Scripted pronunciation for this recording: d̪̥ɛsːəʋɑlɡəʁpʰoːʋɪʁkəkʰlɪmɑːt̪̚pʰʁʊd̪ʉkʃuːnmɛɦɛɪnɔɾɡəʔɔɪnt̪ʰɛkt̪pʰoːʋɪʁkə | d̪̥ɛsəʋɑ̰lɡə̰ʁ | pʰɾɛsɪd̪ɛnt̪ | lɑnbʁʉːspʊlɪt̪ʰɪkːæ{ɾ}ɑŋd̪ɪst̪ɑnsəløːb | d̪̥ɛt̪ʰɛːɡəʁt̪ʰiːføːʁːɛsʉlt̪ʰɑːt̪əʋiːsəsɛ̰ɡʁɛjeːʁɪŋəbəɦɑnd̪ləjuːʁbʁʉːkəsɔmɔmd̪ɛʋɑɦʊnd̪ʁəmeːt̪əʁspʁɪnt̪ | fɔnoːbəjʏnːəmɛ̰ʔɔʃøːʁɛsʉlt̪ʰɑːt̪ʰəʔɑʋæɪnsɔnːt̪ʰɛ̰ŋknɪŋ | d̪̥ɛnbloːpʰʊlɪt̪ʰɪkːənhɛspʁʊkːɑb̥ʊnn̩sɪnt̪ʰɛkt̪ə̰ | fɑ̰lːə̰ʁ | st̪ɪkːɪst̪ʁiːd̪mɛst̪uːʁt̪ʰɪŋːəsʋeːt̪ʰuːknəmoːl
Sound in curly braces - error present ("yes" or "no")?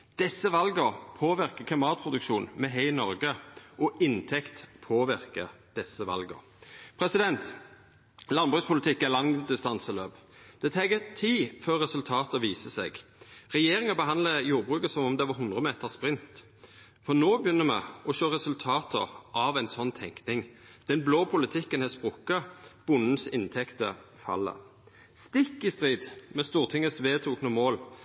yes